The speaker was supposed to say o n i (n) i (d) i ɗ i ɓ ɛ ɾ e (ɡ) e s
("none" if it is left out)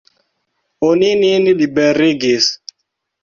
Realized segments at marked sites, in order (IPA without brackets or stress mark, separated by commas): n, n, ɡ